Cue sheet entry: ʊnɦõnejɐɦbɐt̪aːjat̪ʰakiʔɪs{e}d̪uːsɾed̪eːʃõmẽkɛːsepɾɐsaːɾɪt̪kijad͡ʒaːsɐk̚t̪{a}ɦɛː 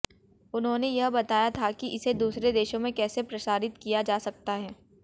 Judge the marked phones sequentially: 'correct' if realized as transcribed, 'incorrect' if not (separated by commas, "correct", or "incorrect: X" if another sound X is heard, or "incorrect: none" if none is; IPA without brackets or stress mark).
correct, correct